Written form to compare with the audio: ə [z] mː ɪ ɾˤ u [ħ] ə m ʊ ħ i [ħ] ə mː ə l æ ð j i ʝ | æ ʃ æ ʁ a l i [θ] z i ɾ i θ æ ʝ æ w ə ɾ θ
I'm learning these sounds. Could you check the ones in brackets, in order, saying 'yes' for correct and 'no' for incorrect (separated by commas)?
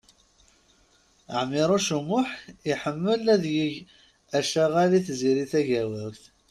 no, no, yes, yes